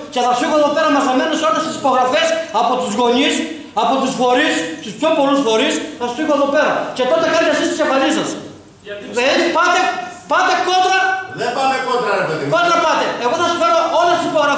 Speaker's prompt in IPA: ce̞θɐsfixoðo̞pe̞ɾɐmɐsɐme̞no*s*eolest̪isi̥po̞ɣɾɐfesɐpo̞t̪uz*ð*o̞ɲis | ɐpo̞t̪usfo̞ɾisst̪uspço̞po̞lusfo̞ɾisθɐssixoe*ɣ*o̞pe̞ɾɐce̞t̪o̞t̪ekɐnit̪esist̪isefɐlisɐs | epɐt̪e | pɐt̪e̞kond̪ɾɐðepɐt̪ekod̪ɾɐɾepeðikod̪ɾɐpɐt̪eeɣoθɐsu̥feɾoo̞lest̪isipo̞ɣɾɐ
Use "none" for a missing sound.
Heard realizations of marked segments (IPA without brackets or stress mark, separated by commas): s, ɣ, ð